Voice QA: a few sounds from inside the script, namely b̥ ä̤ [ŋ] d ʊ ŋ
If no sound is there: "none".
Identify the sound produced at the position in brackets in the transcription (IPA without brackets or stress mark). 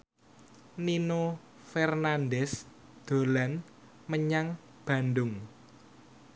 n